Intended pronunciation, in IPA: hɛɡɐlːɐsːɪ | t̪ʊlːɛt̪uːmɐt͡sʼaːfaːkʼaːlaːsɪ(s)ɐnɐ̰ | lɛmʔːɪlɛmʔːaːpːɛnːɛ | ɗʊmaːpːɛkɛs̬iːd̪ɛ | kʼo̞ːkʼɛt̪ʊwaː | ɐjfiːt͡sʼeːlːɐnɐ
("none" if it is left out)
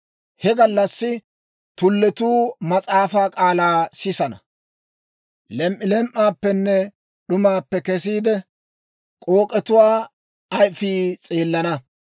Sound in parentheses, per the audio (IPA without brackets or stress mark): s